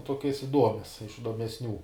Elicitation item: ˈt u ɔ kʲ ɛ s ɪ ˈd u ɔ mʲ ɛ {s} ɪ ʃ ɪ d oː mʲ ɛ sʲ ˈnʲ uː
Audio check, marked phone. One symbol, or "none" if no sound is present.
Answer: s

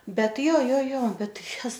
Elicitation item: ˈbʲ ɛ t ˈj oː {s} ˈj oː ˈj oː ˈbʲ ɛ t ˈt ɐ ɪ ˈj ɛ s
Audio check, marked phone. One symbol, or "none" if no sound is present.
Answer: none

